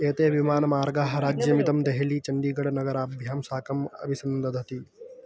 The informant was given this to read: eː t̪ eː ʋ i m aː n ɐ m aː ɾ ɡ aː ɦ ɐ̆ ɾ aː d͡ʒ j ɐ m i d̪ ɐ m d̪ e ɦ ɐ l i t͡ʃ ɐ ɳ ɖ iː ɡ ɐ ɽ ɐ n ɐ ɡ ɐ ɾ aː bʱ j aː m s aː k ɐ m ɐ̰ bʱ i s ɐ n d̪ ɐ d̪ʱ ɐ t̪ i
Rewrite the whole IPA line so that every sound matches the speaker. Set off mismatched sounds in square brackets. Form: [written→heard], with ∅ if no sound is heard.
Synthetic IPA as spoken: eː t̪ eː ʋ i m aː n ɐ m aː ɾ ɡ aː ɦ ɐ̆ ɾ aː d͡ʒ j ɐ m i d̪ ɐ m d̪ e ɦ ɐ l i t͡ʃ ɐ ɳ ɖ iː ɡ ɐ ɽ ɐ n ɐ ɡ ɐ ɾ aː bʱ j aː m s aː k ɐ m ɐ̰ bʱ i s ɐ n d̪ ɐ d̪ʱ ɐ t̪ i